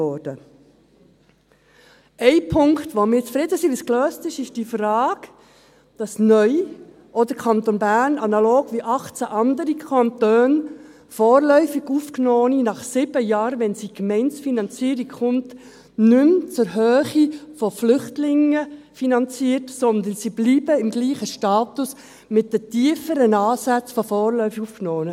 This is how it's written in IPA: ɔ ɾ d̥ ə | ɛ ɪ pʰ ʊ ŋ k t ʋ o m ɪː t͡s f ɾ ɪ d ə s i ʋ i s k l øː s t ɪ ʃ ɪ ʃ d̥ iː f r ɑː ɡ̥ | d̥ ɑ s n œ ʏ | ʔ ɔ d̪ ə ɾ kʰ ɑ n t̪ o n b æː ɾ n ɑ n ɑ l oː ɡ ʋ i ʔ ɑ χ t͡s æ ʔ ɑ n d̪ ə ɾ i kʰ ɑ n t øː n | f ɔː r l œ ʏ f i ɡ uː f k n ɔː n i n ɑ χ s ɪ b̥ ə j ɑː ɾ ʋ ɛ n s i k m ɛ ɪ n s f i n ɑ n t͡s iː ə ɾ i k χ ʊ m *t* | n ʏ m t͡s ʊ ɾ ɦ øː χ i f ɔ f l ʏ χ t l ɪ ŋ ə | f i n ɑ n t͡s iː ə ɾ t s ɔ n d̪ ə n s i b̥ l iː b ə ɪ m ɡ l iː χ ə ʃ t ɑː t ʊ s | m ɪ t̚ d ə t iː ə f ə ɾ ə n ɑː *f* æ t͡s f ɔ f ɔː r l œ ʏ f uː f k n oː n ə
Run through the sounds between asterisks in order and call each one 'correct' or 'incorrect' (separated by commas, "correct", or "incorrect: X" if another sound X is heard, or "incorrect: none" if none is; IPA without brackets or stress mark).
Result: correct, incorrect: s